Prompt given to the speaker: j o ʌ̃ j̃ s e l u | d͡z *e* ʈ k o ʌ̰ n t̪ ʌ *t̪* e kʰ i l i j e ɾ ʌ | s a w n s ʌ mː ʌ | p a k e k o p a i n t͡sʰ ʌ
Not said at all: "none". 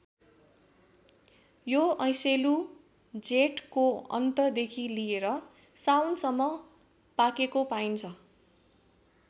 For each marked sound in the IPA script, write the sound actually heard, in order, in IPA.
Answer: e, d̪

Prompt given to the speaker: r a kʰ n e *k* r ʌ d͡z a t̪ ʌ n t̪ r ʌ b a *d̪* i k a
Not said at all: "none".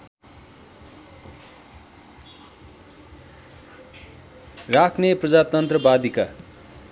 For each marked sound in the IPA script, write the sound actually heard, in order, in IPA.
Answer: p, d̪

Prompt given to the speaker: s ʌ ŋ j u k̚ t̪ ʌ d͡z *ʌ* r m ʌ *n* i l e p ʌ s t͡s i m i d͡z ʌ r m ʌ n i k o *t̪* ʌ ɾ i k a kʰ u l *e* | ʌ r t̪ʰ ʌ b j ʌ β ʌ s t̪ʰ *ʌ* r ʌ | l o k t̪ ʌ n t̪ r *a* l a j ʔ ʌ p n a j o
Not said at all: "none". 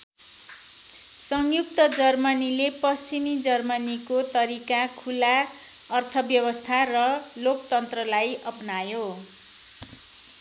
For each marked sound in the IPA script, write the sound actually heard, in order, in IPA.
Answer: ʌ, n, t̪, a, a, ʌ

